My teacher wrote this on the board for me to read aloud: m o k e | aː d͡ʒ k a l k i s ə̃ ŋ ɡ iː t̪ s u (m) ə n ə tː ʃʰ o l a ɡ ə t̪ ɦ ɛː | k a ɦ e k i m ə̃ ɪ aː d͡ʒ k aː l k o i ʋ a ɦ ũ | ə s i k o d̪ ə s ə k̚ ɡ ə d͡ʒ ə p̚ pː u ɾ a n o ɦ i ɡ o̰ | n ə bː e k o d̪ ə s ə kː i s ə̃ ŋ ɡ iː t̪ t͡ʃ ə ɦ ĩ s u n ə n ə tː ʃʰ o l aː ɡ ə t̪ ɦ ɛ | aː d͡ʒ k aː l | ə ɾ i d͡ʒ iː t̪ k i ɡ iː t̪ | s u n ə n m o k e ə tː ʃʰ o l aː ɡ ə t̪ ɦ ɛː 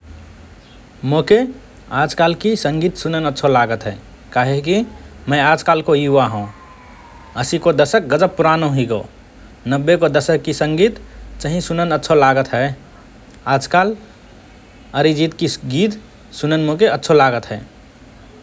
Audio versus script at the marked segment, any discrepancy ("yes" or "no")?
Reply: yes